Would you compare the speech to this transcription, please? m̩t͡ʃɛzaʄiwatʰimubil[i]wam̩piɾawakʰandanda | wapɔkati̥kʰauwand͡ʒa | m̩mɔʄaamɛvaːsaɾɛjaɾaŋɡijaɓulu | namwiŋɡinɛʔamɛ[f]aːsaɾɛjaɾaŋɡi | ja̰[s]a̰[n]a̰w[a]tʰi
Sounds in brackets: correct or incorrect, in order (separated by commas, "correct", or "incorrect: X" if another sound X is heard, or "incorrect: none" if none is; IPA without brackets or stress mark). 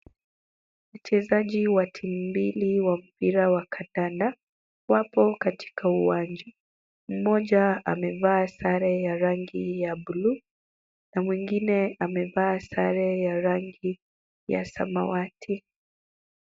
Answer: correct, incorrect: v, correct, incorrect: m, correct